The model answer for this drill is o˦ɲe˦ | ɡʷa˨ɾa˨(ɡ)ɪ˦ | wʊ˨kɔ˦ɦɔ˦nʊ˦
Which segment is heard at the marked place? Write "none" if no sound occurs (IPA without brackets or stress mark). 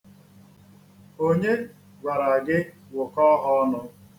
ɡ